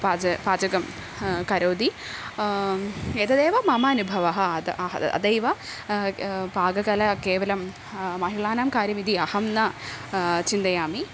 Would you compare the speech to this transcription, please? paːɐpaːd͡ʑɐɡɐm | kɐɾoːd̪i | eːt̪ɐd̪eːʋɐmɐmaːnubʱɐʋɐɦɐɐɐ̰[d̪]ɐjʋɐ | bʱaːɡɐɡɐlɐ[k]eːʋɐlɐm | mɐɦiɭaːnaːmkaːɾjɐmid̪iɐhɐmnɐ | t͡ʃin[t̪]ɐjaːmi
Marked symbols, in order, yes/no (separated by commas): yes, yes, no